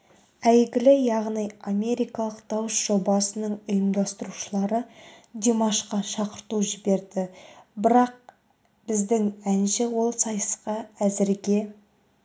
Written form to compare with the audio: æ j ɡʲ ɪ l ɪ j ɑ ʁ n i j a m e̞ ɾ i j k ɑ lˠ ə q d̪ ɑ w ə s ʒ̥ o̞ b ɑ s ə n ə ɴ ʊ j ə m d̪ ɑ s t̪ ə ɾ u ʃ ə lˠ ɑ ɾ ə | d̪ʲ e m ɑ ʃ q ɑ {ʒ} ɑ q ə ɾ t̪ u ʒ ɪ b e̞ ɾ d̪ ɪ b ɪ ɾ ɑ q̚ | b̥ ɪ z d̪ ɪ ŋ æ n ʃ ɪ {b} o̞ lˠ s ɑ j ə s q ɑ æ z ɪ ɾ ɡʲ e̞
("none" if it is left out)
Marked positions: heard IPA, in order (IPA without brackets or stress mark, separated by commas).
ʃ, w